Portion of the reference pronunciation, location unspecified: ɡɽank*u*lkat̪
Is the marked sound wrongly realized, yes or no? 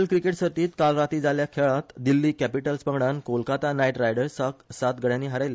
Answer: yes